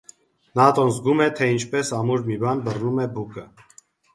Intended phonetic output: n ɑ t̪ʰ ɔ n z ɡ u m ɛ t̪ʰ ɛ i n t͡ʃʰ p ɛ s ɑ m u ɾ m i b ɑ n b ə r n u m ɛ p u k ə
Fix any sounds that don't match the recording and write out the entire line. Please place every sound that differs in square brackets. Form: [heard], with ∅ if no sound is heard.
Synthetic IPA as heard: n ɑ [t̪] ɔ n z ɡ u m ɛ t̪ʰ ɛ i n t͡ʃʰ p ɛ s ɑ m u ɾ m i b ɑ n b ə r n u m ɛ [b] u k ə